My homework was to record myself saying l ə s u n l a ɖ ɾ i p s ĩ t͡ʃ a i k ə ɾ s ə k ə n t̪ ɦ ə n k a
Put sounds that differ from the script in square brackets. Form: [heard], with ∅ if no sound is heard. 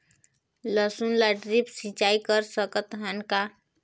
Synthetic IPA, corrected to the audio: l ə s u n l a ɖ ɾ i p s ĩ t͡ʃ a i k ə ɾ s ə k ə [∅] t̪ ɦ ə n k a